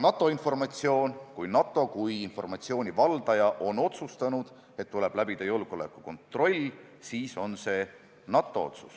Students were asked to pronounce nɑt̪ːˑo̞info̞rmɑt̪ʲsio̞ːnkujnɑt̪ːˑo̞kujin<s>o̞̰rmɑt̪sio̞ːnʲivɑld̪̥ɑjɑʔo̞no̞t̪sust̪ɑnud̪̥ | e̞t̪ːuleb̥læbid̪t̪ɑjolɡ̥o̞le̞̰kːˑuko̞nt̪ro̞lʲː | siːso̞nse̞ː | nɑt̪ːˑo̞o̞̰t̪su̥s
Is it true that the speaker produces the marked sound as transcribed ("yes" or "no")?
no